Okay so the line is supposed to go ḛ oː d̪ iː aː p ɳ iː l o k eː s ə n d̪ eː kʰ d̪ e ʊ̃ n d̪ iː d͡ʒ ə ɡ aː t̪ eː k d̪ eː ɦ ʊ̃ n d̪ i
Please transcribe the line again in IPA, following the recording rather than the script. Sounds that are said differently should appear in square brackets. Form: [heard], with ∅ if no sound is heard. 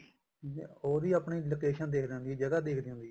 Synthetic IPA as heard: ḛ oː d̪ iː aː p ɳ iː l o k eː [ʃ] ə n d̪ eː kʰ d̪ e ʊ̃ n d̪ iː d͡ʒ ə ɡ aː [d̪] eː k d̪ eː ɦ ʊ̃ n d̪ i